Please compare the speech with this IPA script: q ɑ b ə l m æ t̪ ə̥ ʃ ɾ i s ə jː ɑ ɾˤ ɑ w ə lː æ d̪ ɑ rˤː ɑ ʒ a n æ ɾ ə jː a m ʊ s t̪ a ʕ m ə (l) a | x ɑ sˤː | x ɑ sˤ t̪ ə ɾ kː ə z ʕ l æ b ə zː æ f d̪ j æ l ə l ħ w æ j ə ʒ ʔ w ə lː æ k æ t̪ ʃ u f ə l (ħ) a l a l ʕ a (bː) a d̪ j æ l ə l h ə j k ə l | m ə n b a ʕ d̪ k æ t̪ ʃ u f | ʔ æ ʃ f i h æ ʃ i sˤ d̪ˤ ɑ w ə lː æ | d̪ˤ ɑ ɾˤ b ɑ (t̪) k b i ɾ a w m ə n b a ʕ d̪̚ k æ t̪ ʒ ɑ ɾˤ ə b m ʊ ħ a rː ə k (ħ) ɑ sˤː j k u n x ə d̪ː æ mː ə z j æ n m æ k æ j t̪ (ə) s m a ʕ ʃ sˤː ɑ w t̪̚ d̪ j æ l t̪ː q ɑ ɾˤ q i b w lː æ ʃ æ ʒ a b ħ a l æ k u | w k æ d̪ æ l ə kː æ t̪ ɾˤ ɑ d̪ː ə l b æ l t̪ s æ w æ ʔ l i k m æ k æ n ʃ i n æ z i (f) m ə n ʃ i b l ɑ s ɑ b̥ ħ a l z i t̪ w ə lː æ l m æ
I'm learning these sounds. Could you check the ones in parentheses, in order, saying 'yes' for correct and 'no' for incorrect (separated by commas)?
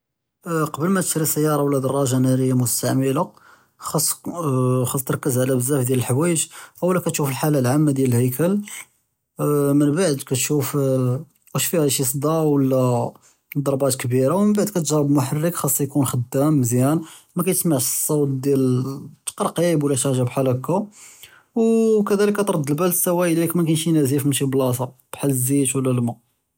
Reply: yes, yes, no, yes, no, yes, yes